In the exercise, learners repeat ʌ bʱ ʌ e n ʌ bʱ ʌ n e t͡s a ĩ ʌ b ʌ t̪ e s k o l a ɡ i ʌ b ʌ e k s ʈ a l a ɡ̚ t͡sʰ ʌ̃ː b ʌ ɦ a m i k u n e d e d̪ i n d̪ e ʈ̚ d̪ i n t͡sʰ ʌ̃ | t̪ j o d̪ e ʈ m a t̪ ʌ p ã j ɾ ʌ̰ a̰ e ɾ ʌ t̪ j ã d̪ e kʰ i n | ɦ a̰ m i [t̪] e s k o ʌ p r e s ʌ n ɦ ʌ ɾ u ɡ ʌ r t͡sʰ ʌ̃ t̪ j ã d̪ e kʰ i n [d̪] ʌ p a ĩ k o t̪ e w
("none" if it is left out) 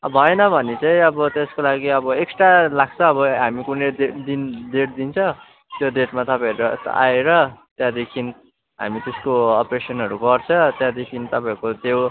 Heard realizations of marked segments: t̪, t̪

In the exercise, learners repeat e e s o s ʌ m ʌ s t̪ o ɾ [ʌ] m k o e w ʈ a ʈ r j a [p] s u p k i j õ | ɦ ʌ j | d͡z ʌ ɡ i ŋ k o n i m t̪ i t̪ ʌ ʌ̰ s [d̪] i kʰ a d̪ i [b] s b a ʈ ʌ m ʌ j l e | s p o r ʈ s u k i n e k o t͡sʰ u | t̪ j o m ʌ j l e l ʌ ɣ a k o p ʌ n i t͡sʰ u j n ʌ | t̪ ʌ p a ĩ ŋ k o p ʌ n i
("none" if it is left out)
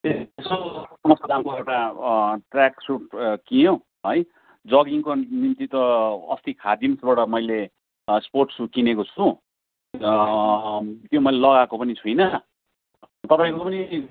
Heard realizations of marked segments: a, k, t̪, m

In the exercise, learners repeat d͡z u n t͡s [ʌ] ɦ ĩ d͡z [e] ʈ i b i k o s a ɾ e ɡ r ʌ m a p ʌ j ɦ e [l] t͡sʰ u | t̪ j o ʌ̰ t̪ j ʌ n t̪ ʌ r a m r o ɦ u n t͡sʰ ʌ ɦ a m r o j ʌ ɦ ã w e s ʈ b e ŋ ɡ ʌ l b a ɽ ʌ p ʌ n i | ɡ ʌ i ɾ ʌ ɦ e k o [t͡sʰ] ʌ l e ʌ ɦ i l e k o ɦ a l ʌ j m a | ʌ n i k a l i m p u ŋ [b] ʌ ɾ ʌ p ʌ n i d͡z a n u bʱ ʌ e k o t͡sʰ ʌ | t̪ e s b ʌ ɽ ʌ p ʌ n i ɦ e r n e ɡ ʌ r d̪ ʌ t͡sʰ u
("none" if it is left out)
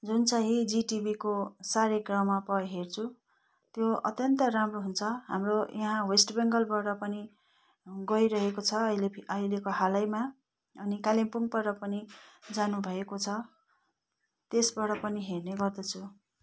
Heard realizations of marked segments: a, i, r, t͡sʰ, p

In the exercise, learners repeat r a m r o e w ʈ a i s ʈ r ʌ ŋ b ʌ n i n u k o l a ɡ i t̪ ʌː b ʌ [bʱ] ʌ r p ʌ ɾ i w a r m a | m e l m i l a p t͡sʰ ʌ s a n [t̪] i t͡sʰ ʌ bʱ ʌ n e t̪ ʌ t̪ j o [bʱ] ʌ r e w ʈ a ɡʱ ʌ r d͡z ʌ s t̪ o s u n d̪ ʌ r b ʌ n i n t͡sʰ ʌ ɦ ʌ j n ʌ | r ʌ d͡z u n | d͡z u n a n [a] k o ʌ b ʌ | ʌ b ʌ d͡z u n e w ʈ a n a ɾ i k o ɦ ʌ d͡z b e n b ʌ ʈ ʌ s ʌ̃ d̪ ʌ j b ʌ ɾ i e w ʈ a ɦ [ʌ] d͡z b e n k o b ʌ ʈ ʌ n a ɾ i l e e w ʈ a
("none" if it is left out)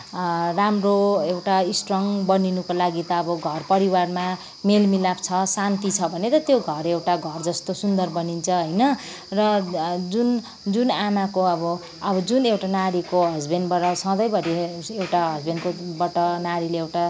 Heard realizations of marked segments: ɡʱ, t̪, ɡʱ, a, ʌ

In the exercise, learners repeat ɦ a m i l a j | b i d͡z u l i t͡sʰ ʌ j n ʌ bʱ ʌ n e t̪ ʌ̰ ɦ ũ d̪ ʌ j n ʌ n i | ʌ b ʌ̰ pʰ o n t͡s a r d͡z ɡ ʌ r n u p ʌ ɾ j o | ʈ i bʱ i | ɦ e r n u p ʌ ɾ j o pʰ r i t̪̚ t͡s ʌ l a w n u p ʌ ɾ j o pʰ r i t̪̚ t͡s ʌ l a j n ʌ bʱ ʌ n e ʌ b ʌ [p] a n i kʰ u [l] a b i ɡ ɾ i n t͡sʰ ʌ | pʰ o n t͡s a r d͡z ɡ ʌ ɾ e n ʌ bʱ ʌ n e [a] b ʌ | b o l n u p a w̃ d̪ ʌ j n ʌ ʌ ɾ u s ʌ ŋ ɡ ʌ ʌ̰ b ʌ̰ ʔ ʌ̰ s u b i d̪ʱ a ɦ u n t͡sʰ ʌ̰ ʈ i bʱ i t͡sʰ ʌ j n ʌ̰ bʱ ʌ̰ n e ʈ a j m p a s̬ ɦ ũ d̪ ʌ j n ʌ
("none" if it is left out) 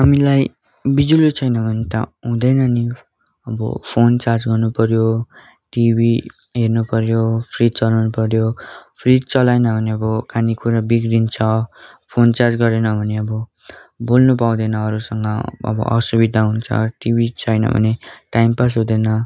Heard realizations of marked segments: k, ɾ, ʌ

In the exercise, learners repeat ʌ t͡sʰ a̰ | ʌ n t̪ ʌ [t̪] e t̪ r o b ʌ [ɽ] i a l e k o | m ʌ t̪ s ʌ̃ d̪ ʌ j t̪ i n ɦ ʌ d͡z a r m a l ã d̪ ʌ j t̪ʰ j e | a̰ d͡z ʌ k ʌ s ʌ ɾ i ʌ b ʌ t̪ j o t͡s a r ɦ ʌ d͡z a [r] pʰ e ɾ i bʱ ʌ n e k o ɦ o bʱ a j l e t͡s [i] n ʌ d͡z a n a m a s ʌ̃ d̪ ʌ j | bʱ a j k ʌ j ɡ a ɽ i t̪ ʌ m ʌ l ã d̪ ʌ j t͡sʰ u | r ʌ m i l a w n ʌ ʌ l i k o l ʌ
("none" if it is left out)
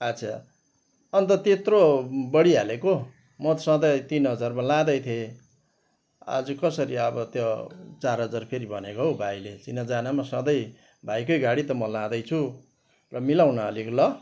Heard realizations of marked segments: t̪, ɽ, r, i

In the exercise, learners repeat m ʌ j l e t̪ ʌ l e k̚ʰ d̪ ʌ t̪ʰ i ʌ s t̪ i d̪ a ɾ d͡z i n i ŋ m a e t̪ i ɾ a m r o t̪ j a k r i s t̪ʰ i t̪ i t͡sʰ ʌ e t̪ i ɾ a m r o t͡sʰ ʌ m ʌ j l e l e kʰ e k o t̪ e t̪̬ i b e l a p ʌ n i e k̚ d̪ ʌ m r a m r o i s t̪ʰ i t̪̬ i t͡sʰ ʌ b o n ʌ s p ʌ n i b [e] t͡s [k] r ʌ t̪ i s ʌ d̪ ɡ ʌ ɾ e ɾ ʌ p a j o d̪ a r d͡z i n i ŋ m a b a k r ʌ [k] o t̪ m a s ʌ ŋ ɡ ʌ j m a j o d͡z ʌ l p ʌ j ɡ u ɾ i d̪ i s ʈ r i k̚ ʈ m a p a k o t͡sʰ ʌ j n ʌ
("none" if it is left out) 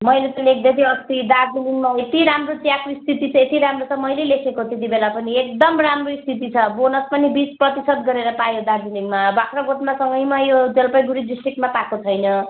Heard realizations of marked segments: i, p, ɡ

